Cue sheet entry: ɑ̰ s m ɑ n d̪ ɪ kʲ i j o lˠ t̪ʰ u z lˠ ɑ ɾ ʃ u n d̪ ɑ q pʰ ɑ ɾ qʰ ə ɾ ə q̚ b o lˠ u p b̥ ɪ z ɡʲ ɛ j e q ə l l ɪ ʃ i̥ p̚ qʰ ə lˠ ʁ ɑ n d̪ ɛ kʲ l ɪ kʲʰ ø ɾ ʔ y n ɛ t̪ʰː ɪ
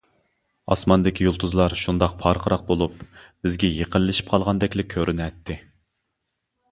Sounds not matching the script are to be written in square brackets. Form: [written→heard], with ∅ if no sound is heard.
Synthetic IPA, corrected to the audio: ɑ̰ s m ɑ n d̪ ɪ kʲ i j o lˠ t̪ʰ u z lˠ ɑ ɾ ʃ u n d̪ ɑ q pʰ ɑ ɾ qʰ ə ɾ [ə→ɑ] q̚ b o lˠ u p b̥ ɪ z ɡʲ ɛ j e q ə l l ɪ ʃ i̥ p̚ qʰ [ə→ɑ] lˠ ʁ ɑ n d̪ ɛ kʲ l ɪ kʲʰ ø ɾ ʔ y n ɛ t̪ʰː ɪ